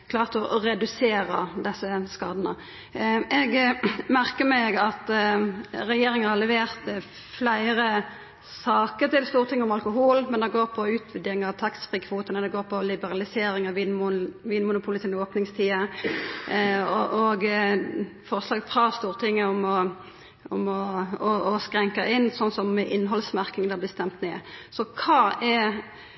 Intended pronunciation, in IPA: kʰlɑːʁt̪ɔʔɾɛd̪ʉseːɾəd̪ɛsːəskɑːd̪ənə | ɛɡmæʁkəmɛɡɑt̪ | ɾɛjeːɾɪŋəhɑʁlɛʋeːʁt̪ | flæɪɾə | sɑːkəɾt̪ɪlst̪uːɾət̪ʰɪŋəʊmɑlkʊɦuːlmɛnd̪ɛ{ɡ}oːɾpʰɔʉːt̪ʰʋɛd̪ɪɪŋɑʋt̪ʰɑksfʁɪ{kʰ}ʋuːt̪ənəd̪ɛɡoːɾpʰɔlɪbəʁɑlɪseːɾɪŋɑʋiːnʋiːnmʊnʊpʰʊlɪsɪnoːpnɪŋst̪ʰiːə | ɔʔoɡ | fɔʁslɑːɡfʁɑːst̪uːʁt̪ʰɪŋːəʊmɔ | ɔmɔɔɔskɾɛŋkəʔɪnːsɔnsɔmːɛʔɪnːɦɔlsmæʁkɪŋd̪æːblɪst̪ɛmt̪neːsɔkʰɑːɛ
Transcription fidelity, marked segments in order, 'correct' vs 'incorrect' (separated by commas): correct, correct